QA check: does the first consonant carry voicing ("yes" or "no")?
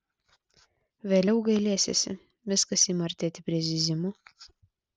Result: yes